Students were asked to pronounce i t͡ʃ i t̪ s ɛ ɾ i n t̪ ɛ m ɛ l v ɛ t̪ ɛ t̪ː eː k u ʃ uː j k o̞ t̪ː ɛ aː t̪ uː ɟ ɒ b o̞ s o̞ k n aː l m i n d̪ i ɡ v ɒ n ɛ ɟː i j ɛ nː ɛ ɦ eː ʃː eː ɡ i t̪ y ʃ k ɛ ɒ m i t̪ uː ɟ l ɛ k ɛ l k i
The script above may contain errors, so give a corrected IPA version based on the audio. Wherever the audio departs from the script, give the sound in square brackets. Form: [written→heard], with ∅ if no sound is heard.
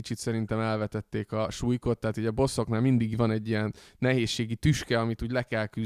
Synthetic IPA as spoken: i t͡ʃ i t̪ s ɛ ɾ i n t̪ ɛ m ɛ l v ɛ t̪ ɛ t̪ː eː k [u→ɒ] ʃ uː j k o̞ t̪ː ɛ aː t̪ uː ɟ ɒ b o̞ s o̞ k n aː l m i n d̪ i ɡ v ɒ n ɛ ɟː i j ɛ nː ɛ ɦ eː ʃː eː ɡ i t̪ y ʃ k ɛ ɒ m i t̪ uː ɟ l ɛ k ɛ l k [i→y]